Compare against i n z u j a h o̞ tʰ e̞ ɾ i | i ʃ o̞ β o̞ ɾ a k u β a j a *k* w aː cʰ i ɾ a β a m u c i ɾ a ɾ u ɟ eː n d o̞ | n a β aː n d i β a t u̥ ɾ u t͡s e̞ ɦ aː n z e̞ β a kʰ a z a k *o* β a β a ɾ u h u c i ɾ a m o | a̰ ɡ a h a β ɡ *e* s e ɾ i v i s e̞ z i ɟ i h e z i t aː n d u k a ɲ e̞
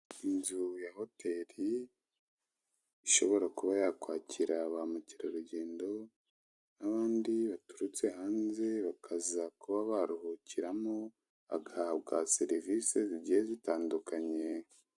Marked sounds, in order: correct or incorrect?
correct, incorrect, incorrect

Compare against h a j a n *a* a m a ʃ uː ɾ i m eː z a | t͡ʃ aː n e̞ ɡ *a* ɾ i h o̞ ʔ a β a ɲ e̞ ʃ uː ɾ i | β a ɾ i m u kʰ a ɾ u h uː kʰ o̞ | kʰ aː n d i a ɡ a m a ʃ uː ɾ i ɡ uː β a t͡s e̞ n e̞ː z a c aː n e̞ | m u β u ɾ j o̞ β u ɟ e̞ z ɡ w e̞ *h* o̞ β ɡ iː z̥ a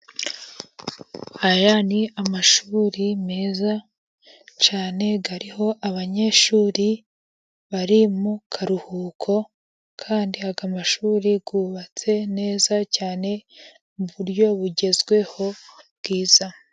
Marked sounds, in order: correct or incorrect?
incorrect, correct, correct

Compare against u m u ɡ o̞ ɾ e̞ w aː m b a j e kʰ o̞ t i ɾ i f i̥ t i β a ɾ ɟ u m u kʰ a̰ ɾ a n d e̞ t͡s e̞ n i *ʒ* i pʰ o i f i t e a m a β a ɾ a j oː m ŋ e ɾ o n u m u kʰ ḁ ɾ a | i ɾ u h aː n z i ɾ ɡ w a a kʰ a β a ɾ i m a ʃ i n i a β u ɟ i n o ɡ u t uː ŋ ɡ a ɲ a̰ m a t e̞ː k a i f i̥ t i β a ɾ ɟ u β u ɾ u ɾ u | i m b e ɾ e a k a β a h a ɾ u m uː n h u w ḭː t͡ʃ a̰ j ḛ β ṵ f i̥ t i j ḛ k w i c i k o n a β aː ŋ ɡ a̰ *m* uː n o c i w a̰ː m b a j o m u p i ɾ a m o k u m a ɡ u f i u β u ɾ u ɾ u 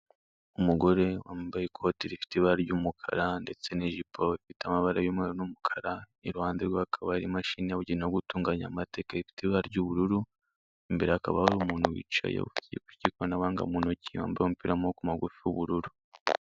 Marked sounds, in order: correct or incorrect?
correct, correct

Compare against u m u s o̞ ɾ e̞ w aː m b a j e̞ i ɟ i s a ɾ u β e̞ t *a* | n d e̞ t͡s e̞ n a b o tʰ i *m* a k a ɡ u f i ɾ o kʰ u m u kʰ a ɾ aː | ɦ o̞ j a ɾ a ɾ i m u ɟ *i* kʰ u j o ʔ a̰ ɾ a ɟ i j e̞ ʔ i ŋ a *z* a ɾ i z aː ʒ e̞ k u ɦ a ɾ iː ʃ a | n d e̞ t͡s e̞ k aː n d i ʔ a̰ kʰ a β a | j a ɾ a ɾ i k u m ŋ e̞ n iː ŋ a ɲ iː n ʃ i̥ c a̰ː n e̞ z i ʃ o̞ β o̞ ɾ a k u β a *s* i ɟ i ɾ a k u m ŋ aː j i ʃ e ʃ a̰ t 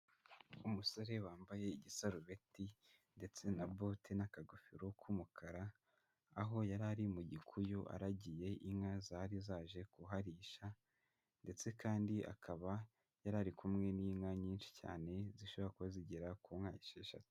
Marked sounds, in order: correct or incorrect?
incorrect, incorrect, correct, correct, incorrect

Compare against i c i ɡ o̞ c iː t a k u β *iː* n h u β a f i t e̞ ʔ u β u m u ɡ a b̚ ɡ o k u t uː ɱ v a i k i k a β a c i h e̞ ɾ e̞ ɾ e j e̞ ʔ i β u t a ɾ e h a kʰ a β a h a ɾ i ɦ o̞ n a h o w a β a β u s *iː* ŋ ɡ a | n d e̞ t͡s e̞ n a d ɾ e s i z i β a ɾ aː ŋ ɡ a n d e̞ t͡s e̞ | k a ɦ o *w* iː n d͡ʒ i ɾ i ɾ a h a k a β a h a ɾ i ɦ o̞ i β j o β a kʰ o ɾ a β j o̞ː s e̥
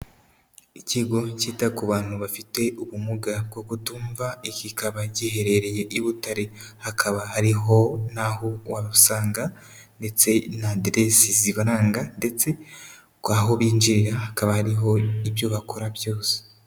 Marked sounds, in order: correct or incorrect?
incorrect, incorrect, incorrect

